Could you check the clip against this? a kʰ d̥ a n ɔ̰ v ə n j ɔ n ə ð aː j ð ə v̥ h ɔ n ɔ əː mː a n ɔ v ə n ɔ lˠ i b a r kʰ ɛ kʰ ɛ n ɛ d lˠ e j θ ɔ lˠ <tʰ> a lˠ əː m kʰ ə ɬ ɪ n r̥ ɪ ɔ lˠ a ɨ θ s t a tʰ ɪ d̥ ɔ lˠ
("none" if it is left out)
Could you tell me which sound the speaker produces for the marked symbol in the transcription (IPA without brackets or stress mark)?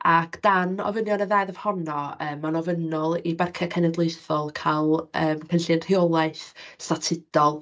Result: kʰ